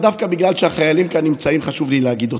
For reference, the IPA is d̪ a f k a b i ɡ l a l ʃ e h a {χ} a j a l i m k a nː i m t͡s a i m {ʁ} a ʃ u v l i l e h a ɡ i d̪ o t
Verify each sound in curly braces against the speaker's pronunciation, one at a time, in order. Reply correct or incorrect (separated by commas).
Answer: correct, incorrect